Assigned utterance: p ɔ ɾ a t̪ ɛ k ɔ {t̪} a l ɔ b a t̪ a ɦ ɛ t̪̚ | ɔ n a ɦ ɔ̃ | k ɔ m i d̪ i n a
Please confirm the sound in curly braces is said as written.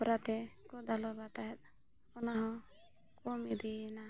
no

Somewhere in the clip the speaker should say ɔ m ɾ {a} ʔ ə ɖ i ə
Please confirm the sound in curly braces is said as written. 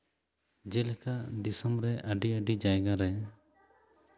no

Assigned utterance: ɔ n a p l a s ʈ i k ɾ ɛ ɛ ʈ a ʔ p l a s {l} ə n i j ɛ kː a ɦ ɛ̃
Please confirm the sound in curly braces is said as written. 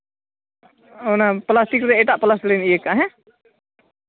yes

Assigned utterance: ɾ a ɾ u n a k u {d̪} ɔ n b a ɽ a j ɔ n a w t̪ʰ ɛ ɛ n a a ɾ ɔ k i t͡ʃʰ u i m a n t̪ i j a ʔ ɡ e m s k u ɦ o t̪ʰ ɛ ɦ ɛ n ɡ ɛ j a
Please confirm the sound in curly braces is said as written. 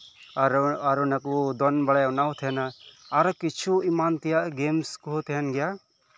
yes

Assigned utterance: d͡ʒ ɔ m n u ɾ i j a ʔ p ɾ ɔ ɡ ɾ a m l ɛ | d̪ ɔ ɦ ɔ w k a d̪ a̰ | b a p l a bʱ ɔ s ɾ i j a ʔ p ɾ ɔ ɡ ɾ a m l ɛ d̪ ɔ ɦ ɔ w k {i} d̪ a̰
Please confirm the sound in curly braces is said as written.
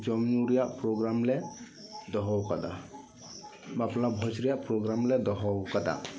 no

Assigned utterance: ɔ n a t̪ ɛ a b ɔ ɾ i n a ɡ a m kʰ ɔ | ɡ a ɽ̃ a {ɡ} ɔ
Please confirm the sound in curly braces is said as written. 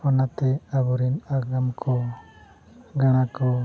no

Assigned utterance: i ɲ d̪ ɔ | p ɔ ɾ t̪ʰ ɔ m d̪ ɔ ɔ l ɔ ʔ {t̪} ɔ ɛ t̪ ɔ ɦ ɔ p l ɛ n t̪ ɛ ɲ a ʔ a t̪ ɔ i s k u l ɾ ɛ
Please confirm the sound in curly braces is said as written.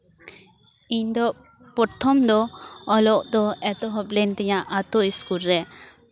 no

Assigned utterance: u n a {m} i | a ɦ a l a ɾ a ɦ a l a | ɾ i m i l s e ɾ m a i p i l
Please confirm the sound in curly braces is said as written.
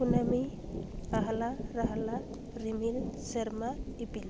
yes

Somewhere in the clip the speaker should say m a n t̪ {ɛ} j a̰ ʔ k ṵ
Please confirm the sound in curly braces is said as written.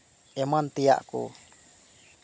no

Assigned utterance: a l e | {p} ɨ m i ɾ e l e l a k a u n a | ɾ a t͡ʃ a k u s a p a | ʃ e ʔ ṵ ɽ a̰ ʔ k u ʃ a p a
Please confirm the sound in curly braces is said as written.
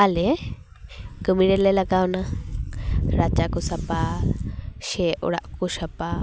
no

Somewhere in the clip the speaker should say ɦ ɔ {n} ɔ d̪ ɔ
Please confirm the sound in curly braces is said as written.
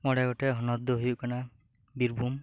yes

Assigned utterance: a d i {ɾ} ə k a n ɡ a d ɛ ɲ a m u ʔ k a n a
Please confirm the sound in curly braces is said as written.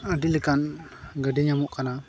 no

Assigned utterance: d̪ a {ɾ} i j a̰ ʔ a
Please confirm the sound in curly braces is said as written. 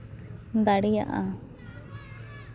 no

